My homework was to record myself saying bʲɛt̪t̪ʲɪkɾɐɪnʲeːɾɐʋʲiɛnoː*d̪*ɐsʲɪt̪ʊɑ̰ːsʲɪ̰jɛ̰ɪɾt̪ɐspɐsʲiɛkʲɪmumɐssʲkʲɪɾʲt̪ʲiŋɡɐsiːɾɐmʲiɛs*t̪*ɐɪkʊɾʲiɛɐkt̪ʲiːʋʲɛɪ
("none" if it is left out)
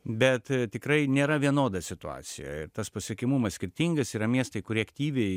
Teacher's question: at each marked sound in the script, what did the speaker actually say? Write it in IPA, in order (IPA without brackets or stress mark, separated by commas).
d̪, t̪